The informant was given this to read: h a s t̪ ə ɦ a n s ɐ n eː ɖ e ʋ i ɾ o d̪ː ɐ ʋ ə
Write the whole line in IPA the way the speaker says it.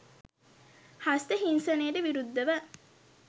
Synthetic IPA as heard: h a s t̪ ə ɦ i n s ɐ n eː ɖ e ʋ i ɾ u d̪ː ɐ ʋ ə